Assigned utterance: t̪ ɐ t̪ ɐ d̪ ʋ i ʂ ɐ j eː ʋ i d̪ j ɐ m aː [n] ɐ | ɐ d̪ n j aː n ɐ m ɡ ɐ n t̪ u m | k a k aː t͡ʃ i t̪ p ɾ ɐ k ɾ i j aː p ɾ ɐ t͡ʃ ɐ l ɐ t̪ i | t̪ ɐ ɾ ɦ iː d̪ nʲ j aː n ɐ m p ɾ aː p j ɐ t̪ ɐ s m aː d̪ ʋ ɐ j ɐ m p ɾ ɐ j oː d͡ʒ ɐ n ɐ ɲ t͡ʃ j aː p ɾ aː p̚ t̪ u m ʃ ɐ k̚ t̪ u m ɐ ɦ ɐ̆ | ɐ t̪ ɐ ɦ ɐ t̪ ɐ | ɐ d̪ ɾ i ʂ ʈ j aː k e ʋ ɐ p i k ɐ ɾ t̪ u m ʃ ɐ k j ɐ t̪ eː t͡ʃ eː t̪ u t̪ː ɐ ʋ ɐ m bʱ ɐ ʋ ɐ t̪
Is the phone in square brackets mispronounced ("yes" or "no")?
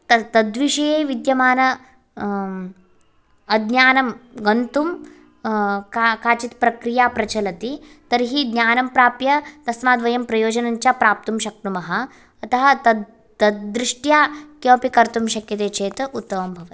no